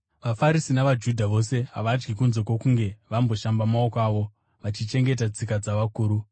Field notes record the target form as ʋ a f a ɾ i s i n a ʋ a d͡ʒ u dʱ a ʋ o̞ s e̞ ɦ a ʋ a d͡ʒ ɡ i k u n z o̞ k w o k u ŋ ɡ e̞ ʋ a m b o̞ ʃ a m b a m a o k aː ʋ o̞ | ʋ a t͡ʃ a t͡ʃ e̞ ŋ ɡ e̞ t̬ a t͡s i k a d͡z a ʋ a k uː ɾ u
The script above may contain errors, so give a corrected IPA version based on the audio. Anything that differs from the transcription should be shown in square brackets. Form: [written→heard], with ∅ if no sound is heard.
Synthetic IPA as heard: ʋ a f a ɾ i s i n a ʋ a d͡ʒ u dʱ a ʋ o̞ s e̞ ɦ a ʋ a d͡ʒ ɡ i k u n z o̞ k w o k u ŋ ɡ e̞ ʋ a m b o̞ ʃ a m b a m a o k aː ʋ o̞ | ʋ a t͡ʃ [a→i] t͡ʃ e̞ ŋ ɡ e̞ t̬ a t͡s i k a d͡z a ʋ a k uː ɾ u